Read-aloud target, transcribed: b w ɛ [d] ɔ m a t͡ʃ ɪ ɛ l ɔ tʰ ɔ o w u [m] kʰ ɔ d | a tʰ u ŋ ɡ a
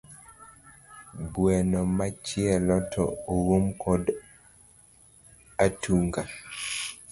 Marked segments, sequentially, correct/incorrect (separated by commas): incorrect, correct